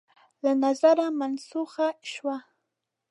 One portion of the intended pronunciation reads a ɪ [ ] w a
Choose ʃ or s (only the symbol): ʃ